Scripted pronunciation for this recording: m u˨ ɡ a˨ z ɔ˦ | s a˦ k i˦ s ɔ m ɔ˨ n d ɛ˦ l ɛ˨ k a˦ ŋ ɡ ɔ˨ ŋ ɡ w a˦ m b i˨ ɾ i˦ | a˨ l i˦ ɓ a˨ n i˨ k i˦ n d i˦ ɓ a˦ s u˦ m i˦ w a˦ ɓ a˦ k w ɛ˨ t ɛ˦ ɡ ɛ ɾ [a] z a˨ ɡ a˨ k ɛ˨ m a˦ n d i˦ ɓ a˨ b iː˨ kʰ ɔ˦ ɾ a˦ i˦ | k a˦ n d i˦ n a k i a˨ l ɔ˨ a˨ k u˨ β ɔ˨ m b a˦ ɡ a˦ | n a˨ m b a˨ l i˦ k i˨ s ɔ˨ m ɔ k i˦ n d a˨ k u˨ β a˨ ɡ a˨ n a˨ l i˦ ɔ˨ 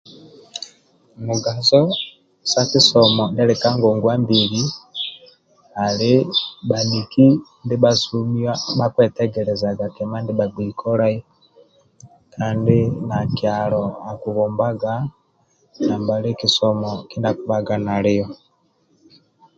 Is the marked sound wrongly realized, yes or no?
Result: yes